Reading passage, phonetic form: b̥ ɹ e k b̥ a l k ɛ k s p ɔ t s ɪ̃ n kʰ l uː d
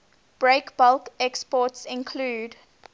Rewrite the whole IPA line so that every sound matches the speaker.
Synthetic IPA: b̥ ɹ e k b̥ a l k ɛ k s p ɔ t s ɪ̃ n kʰ l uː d